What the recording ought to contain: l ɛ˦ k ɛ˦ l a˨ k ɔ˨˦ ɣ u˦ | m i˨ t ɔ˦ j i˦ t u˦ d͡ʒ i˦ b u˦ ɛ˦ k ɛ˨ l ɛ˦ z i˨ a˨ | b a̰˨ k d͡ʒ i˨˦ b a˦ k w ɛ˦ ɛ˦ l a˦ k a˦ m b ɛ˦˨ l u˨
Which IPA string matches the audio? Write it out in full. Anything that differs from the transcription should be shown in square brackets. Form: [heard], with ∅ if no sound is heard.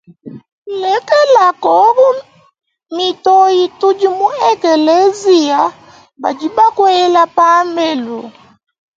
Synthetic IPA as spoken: l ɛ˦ k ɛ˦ l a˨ k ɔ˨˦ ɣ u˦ | m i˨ t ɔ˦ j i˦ t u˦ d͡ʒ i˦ [m] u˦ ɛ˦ k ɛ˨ l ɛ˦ z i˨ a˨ | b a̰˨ [∅] d͡ʒ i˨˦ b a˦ k w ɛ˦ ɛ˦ l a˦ [p] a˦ m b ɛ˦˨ l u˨